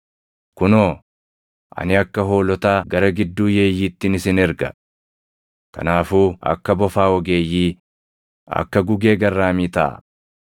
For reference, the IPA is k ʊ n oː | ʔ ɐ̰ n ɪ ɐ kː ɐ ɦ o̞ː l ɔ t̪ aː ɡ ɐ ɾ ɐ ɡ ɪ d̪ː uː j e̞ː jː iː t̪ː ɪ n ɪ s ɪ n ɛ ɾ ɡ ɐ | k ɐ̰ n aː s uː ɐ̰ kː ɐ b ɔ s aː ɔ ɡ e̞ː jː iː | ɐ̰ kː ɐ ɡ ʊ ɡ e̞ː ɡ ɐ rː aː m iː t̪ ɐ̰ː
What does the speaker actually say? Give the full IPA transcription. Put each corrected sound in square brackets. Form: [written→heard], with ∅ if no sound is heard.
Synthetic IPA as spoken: k ʊ n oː | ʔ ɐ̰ n ɪ ɐ kː ɐ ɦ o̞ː l ɔ t̪ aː ɡ ɐ ɾ ɐ ɡ ɪ d̪ː uː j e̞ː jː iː t̪ː ɪ n ɪ s ɪ n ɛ ɾ ɡ ɐ | k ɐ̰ n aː [s→f] uː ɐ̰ kː ɐ b ɔ [s→f] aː ɔ ɡ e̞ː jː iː | ɐ̰ kː ɐ ɡ ʊ ɡ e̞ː ɡ ɐ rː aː m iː t̪ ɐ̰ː